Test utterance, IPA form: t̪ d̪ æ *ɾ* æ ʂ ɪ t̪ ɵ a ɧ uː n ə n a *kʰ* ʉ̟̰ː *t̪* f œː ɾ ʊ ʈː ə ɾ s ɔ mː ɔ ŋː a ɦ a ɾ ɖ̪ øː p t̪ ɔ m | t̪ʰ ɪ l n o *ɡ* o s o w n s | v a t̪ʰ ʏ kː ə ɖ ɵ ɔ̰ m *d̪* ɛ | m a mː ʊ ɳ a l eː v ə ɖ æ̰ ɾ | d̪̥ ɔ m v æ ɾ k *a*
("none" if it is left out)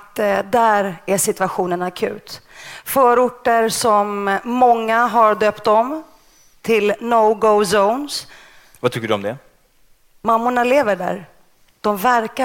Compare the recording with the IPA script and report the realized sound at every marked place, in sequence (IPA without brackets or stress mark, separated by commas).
ɾ, kʰ, t̪, ɡ, d̪, a